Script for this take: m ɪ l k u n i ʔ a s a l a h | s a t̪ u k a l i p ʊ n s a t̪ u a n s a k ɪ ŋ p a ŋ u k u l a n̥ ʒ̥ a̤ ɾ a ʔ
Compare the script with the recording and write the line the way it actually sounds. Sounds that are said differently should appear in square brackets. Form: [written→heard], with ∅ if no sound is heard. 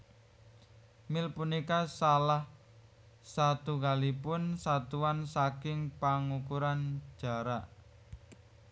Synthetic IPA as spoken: m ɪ l [k→p] u n i [ʔ→k] a s a l a h | s a t̪ u k a l i p ʊ n s a t̪ u a n s a k ɪ ŋ p a ŋ u k u [l→ɾ] a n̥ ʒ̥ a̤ ɾ a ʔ